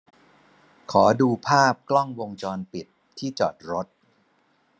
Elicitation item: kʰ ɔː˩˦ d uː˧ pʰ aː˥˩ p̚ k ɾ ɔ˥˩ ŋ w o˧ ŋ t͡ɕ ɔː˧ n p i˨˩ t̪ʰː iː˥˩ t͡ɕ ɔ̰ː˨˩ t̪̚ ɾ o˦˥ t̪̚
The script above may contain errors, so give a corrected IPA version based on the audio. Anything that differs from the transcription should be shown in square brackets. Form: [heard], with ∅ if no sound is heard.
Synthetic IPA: kʰ ɔː˩˦ d uː˧ pʰ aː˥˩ p̚ k [l] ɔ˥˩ ŋ w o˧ ŋ t͡ɕ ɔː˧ n p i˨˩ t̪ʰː iː˥˩ t͡ɕ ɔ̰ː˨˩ t̪̚ ɾ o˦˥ t̪̚